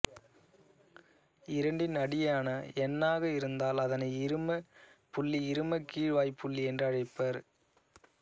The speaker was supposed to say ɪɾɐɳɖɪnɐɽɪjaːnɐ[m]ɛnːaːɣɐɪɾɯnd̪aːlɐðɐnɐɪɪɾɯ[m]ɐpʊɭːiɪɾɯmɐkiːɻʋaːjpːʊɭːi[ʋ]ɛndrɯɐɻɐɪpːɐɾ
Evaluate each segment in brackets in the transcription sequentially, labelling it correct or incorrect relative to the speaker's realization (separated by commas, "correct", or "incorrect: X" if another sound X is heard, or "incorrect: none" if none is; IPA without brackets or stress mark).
incorrect: none, correct, incorrect: none